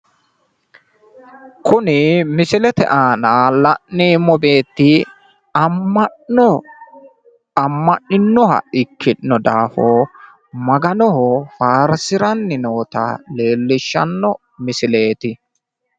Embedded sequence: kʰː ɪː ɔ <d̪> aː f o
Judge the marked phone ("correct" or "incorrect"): correct